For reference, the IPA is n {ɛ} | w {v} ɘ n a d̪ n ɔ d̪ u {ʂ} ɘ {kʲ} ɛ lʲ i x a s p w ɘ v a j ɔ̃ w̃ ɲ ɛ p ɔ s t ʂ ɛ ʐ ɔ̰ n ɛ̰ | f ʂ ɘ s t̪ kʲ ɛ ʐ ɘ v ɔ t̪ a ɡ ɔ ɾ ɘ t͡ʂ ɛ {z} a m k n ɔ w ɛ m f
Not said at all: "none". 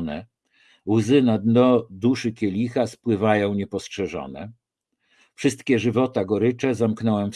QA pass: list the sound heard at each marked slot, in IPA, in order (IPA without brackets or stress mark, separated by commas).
ɛ, z, ʂ, kʲ, z